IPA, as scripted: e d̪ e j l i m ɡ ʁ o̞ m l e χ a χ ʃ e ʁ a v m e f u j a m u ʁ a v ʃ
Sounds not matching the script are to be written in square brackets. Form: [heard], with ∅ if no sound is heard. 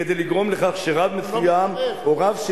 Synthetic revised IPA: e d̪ e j l i [∅] ɡ ʁ o̞ m l e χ a χ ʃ e ʁ a v m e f u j a m [o] ʁ a v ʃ